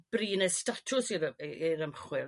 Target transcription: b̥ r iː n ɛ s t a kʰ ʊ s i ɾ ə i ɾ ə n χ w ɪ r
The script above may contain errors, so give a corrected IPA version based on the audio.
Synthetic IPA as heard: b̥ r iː n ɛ s t a tʰ ʊ s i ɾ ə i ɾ ə m χ w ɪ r